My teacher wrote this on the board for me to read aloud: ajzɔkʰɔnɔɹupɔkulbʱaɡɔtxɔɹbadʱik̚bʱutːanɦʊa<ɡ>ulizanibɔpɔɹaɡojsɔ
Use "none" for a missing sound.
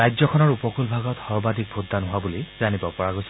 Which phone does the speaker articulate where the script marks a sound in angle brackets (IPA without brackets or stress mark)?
b